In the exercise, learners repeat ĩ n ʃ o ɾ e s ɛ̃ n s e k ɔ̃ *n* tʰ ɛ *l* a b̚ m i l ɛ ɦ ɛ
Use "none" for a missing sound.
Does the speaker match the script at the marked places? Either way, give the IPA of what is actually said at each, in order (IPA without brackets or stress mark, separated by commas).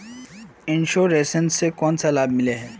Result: n, l